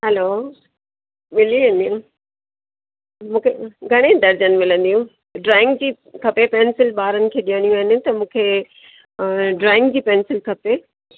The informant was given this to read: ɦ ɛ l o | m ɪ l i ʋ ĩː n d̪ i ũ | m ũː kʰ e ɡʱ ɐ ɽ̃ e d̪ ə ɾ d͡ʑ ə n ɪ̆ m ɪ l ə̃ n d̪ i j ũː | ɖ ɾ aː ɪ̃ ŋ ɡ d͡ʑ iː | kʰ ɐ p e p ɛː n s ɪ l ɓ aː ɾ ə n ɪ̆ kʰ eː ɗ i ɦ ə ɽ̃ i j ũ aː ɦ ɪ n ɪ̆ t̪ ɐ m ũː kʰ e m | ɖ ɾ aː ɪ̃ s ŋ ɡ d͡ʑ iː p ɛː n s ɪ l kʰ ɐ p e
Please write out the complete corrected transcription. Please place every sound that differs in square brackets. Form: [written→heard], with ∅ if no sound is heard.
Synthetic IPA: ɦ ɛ l o | m ɪ l i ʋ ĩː n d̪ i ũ | m ũː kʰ e ɡʱ ɐ ɽ̃ e d̪ [ə→ɐ] ɾ d͡ʑ ə n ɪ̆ m ɪ l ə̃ n d̪ i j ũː | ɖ ɾ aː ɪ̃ ŋ ɡ d͡ʑ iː | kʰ ɐ p e p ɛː n s ɪ l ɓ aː ɾ ə n ɪ̆ kʰ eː ɗ i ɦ ə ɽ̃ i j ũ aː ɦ ɪ n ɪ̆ t̪ ɐ m ũː kʰ e [m→∅] | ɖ ɾ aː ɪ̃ [s→∅] ŋ ɡ d͡ʑ iː p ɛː n s ɪ l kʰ ɐ p e